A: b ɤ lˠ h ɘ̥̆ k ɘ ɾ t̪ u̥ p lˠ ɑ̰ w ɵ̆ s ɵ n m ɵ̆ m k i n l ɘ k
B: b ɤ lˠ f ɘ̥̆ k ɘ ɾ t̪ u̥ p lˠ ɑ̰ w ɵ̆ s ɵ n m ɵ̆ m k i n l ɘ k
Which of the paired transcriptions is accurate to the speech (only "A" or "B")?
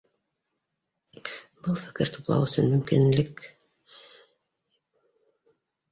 B